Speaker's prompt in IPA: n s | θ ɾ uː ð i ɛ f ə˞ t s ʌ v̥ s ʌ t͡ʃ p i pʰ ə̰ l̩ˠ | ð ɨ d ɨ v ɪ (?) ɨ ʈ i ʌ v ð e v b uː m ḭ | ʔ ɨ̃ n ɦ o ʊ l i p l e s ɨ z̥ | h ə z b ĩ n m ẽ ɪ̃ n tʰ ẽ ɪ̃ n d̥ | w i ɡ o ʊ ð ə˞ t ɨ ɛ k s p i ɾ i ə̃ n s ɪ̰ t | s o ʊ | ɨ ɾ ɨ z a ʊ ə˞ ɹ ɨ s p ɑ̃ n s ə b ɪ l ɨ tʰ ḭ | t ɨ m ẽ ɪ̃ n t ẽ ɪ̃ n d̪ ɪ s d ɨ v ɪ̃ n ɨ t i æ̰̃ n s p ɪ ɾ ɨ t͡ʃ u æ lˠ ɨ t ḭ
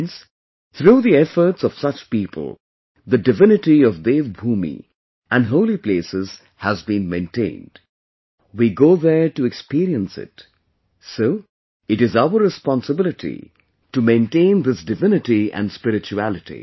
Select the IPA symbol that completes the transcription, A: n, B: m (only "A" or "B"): A